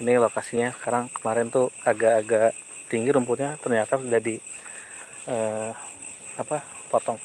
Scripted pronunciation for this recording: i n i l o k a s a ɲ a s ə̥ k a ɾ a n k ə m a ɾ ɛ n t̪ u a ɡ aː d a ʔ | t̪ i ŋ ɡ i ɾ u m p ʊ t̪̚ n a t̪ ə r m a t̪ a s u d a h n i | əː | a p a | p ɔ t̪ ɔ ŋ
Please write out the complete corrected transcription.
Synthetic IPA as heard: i n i l o k a s i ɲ a s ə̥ k a ɾ a ŋ k ə m a ɾ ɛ n t̪ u a ɡ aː ɡ a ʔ | t̪ i ŋ ɡ i ɾ u m p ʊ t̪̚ ɲ a t̪ ə r ɲ a t̪ a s u d a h d i | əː | a p a | p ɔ t̪ ɔ ŋ